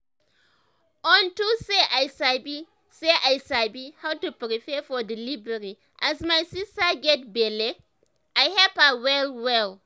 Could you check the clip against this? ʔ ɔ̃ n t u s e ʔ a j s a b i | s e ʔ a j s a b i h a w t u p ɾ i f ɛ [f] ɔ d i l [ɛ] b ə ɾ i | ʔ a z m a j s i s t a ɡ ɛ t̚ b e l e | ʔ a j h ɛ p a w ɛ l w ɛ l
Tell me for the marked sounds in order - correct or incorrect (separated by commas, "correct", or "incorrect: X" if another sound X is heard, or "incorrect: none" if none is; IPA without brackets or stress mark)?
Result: correct, incorrect: i